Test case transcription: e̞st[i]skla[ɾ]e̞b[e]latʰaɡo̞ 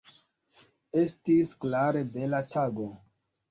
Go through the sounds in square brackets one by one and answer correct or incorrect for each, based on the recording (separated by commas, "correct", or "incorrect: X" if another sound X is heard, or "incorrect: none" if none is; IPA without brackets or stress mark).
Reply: correct, correct, correct